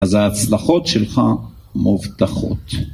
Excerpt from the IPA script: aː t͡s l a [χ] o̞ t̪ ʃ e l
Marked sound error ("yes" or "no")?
no